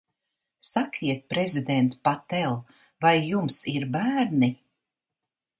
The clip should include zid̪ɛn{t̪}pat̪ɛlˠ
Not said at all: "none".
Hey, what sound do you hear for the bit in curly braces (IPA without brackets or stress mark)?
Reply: t̪